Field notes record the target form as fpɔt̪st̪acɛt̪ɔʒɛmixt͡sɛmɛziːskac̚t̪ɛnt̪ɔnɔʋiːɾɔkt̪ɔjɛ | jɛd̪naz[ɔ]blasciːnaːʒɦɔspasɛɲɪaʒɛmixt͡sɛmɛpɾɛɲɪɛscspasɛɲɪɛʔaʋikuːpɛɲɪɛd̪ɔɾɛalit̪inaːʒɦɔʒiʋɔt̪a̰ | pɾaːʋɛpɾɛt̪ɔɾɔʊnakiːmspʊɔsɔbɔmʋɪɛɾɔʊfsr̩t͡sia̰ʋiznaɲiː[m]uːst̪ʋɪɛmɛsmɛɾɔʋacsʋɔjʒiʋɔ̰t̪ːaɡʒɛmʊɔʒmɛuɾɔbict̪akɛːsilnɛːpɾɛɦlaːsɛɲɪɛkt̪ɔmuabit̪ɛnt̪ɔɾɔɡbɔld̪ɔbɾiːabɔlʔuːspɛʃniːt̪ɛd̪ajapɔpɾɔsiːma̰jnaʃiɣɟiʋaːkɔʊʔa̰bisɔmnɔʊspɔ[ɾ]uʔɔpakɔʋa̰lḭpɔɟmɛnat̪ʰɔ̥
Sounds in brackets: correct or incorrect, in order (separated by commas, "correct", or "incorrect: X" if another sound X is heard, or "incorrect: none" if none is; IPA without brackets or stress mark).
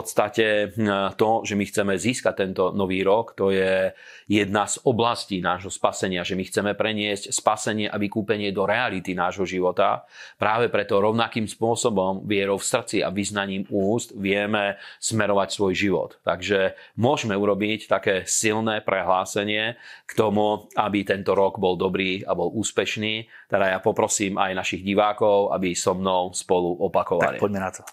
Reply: correct, correct, incorrect: l